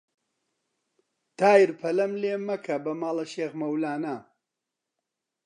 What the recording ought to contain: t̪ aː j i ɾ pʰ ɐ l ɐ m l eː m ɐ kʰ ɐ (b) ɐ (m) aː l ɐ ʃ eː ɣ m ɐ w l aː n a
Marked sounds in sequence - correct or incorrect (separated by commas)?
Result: correct, correct